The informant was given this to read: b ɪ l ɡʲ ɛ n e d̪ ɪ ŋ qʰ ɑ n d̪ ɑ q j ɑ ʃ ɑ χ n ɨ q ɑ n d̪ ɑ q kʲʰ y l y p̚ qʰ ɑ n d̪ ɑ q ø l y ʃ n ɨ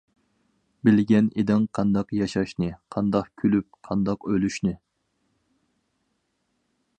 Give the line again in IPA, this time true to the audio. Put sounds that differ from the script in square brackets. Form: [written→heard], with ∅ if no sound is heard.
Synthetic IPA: b ɪ l ɡʲ ɛ n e d̪ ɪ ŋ qʰ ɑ n d̪ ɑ q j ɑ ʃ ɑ [χ→ʃ] n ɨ [q→qʰ] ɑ n d̪ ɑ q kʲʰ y l y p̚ qʰ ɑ n d̪ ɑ q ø l y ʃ n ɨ

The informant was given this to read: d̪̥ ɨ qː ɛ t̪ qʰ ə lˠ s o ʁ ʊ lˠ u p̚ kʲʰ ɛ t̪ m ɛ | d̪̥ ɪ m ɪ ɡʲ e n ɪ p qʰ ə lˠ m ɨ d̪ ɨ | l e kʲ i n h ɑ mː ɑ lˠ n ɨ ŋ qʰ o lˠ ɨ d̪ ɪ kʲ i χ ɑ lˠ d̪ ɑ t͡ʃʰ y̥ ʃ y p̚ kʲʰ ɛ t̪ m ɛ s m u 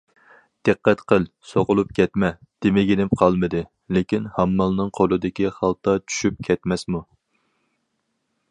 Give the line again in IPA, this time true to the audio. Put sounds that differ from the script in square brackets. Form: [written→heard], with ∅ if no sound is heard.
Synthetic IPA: d̪̥ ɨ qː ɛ t̪ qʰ ə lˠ s o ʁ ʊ lˠ u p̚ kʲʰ ɛ t̪ m ɛ | d̪̥ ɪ m ɪ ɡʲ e n ɪ p qʰ [ə→ɑ] lˠ m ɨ d̪ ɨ | l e kʲ i n h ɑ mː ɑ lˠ n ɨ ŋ qʰ o lˠ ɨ d̪ ɪ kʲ i χ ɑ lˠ [d̪→t̪] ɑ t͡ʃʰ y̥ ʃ y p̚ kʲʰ ɛ t̪ m ɛ s m u

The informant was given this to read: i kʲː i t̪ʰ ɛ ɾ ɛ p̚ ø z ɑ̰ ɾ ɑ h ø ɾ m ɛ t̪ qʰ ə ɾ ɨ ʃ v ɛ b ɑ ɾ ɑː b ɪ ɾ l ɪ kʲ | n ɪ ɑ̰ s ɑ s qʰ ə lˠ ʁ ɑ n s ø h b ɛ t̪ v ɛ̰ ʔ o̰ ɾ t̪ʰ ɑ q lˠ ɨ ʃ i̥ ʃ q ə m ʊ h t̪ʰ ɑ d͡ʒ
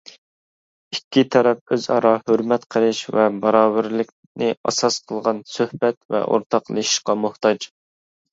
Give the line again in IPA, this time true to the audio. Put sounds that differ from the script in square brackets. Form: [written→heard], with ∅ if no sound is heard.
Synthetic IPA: i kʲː i t̪ʰ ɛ ɾ ɛ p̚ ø z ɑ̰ ɾ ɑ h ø ɾ m ɛ t̪ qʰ ə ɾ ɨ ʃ v ɛ b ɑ ɾ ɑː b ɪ ɾ l ɪ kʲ | n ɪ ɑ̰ s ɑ s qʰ ə lˠ ʁ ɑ n s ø h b ɛ t̪ v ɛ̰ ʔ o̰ ɾ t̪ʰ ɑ q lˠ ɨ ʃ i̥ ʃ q [ə→ɑ] m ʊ h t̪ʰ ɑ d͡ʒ

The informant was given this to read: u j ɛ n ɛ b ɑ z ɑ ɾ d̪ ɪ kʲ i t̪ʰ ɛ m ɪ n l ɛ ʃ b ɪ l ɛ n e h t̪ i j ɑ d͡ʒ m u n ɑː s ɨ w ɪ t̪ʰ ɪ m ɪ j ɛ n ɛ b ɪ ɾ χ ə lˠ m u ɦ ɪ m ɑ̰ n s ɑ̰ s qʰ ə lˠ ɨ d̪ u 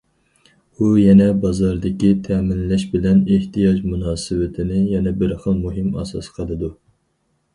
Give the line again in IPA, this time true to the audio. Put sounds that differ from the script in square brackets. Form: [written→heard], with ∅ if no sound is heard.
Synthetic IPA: u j ɛ n ɛ b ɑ z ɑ ɾ d̪ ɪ kʲ i t̪ʰ ɛ m ɪ n l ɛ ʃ b ɪ l ɛ n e h t̪ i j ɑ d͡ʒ m u n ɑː s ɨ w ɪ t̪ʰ ɪ [m→n] ɪ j ɛ n ɛ b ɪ ɾ χ ə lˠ m u ɦ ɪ m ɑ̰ [n→∅] s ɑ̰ s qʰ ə lˠ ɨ d̪ u

